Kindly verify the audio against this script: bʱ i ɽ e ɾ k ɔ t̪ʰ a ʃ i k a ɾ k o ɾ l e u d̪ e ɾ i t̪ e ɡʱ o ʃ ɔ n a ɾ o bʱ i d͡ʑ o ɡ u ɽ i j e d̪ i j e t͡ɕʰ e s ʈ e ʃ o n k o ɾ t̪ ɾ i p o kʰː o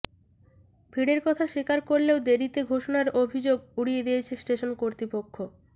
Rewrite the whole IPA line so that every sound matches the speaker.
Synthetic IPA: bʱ i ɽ e ɾ k ɔ t̪ʰ a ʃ i k a ɾ k o ɾ l e o d̪ e ɾ i t̪ e ɡʱ o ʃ o n a ɾ o bʱ i d͡ʑ o ɡ u ɽ i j e d̪ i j e t͡ɕʰ e s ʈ e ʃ o n k o ɾ t̪ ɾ i p o kʰː o